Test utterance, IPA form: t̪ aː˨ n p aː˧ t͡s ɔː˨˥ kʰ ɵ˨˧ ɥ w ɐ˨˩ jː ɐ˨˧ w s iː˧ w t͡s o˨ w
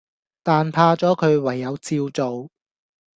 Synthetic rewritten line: t̪ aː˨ n pʰ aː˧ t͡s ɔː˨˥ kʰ ɵ˨˧ ɥ w ɐ˨˩ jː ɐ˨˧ w t͡s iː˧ w t͡s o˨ w